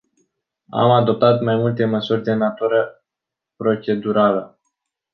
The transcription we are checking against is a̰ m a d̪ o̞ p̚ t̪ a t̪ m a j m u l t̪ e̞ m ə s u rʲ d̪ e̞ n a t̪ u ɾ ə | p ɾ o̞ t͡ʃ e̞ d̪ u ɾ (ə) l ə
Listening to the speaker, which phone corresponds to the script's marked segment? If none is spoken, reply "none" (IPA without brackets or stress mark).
a